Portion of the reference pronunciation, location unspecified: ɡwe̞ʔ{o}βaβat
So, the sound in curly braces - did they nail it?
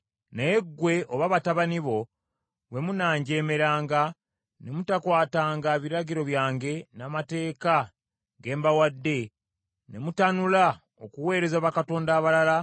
yes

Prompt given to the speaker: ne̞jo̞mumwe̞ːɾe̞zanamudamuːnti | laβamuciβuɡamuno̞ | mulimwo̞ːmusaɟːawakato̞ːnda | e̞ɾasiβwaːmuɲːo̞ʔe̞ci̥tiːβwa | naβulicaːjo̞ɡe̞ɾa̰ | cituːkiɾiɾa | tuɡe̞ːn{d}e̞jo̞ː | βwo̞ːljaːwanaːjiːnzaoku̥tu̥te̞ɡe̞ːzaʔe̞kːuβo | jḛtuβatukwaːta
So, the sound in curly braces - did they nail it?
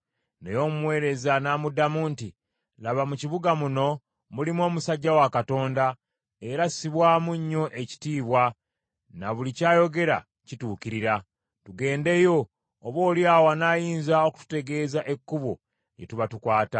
yes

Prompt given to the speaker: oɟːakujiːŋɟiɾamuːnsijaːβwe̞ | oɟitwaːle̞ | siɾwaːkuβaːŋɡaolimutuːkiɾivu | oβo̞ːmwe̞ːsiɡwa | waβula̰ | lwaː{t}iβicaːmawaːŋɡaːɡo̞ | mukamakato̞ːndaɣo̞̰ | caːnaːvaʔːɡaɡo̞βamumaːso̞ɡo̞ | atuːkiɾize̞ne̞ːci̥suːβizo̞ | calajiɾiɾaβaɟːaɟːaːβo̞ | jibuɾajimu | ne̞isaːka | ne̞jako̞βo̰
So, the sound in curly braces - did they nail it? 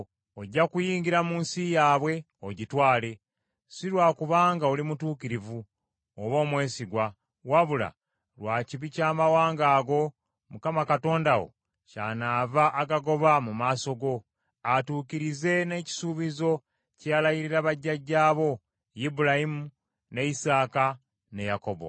no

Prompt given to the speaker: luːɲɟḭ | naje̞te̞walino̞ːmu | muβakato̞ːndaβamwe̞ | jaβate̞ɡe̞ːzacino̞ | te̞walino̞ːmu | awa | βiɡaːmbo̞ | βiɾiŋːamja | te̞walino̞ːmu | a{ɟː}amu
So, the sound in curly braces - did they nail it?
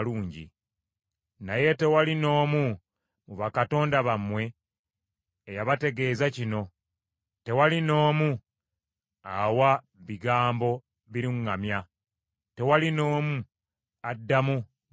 no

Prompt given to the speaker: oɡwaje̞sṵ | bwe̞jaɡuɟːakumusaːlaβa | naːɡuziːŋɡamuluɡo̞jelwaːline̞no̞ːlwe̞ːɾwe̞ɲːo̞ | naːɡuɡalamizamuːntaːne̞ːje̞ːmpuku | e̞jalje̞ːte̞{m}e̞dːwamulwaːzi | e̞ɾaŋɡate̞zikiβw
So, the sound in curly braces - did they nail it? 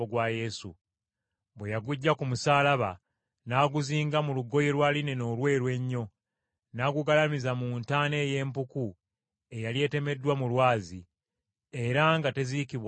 yes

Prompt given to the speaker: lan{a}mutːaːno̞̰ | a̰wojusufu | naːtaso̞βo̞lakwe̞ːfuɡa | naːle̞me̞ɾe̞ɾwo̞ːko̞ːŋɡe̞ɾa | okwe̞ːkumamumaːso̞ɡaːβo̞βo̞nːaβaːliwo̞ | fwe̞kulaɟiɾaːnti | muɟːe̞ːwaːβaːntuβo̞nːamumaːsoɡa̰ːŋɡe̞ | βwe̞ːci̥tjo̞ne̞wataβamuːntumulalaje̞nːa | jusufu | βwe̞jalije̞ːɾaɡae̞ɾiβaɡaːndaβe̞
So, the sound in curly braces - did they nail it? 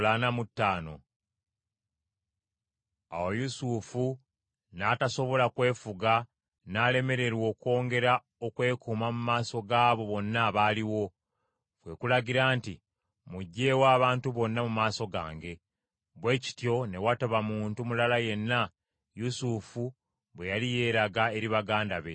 yes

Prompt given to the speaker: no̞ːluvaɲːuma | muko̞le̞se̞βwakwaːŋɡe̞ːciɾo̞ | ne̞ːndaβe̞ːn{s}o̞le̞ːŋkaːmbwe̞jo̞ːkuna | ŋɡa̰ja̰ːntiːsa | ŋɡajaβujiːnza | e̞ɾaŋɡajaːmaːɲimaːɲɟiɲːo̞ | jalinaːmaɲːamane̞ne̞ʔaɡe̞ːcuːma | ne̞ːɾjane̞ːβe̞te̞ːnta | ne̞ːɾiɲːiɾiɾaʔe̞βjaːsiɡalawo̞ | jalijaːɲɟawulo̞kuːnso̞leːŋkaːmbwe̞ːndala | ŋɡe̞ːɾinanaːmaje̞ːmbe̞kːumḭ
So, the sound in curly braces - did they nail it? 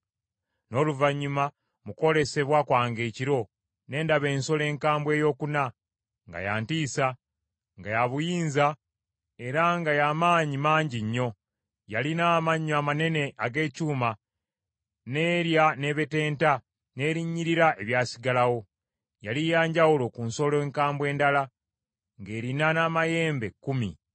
yes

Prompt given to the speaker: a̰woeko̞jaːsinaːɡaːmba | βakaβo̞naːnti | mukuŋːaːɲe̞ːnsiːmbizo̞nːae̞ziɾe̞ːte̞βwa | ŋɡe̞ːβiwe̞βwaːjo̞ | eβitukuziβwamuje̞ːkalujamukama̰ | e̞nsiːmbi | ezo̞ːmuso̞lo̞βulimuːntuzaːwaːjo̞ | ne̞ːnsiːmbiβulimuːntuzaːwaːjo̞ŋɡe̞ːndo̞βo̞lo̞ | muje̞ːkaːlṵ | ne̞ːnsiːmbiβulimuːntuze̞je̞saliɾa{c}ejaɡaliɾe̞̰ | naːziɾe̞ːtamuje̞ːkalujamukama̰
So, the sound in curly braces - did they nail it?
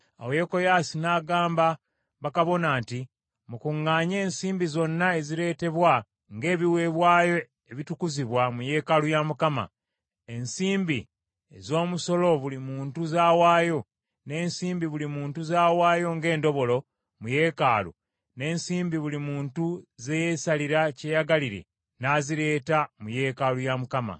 yes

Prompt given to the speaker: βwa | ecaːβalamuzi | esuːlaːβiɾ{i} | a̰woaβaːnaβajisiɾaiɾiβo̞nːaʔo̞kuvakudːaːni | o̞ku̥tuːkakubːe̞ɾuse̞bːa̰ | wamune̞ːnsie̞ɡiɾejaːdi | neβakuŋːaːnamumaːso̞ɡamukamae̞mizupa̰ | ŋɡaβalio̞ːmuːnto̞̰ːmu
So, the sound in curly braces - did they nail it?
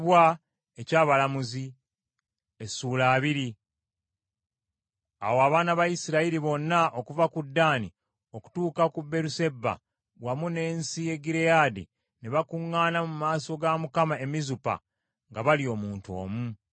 yes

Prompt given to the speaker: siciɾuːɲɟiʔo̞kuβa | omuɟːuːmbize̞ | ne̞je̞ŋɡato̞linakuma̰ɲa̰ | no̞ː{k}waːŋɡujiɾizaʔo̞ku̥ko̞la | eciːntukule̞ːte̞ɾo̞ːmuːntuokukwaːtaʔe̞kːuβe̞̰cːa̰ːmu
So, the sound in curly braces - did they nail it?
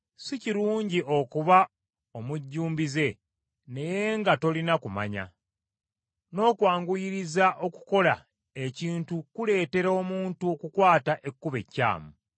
yes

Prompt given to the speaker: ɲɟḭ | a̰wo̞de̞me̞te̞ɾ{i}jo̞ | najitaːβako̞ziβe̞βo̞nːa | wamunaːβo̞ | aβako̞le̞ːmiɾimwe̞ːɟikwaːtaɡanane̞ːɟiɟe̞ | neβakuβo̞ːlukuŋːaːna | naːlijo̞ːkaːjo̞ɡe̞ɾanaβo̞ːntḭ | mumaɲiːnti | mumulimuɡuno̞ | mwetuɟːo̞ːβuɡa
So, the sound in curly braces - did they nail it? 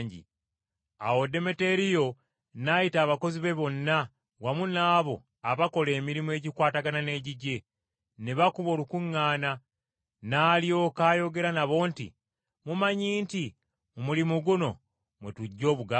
yes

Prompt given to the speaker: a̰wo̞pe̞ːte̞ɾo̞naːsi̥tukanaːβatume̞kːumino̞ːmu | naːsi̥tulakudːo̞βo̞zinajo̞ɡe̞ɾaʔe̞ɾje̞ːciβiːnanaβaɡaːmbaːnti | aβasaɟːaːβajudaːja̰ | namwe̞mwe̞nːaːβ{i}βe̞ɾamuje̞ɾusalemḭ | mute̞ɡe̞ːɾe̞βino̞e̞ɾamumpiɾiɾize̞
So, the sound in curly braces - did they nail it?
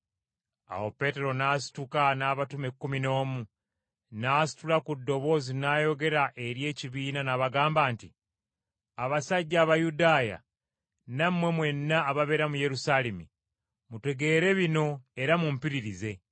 no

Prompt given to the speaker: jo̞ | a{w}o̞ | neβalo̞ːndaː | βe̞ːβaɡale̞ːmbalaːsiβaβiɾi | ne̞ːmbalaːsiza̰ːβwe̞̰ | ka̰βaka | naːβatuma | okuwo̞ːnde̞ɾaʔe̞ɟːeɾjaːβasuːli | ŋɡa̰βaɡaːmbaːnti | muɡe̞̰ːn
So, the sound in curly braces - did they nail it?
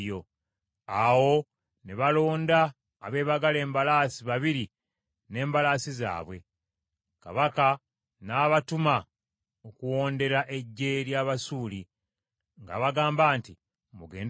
yes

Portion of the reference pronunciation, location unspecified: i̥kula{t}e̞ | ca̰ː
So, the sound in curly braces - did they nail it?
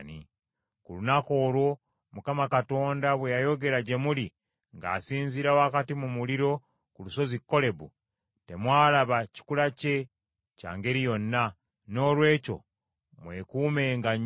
no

